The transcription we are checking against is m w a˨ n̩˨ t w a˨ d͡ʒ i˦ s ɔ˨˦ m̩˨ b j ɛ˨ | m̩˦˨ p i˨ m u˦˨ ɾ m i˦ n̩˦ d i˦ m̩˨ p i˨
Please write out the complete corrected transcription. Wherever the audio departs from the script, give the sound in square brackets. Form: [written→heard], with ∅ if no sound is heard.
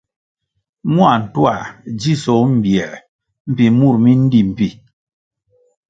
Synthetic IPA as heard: m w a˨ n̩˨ t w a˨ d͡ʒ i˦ s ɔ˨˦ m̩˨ b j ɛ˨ | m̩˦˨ p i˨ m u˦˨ ɾ m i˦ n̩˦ d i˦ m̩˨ p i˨